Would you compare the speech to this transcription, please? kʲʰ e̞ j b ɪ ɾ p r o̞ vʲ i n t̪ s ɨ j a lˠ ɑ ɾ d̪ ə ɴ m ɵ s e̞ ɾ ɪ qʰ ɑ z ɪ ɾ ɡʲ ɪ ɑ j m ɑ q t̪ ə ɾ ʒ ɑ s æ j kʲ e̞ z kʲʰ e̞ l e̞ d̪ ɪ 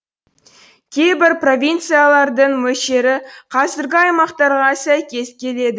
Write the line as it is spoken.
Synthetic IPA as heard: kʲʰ e̞ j b ɪ ɾ p r o̞ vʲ i n t̪ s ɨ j a lˠ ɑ ɾ d̪ ə ɴ m ɵ ʃ e̞ ɾ ɪ qʰ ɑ z ɪ ɾ ɡʲ ɪ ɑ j m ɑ q t̪ ɑ ɾ ʁ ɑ s æ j kʲ e̞ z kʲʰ e̞ l e̞ d̪ ɪ